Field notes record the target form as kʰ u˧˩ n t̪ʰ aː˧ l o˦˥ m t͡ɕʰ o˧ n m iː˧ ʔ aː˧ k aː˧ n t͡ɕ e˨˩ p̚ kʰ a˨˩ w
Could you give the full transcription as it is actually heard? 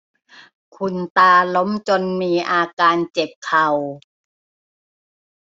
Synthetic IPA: kʰ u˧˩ n t̪ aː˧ l o˦˥ m t͡ɕ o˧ n m iː˧ ʔ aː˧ k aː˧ n t͡ɕ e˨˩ p̚ kʰ a˨˩ w